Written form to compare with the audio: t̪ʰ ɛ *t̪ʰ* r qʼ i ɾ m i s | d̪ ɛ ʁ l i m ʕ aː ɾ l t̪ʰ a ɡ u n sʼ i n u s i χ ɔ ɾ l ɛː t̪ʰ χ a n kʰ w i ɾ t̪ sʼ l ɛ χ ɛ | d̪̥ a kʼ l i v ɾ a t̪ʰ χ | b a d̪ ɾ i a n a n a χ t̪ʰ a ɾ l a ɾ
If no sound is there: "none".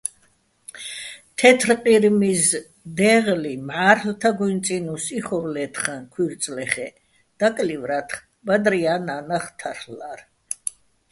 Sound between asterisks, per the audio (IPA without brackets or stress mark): t̪ʰ